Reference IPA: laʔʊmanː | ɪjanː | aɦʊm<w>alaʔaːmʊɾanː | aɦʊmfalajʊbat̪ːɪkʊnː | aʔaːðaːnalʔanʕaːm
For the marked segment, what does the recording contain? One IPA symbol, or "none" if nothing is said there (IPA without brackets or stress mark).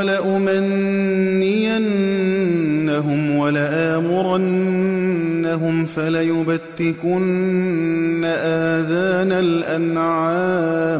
w